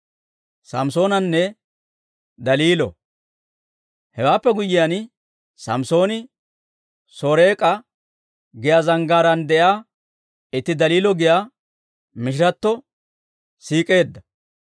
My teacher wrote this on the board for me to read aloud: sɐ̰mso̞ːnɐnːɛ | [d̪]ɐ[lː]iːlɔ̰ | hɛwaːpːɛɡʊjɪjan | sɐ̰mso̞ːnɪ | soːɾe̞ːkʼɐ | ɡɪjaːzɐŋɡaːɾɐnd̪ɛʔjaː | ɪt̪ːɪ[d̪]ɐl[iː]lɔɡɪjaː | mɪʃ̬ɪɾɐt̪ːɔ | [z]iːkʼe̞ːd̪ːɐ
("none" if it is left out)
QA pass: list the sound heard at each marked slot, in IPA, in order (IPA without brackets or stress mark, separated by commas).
d̪, l, d̪, iː, s